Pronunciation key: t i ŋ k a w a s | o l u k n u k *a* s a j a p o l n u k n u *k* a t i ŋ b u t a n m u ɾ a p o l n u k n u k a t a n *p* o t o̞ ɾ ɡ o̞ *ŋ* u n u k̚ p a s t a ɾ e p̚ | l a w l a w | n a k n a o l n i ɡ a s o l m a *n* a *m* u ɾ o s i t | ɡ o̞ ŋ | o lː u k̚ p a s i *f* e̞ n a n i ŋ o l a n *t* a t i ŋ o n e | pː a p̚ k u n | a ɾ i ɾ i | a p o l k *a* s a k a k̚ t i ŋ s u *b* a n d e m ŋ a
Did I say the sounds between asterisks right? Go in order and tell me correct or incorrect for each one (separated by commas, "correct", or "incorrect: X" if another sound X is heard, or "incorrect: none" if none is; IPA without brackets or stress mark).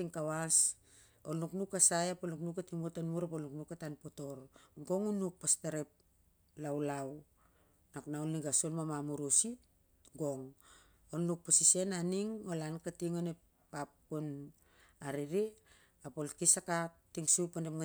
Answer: correct, correct, correct, correct, incorrect: m, correct, incorrect: s, incorrect: k, incorrect: i, incorrect: p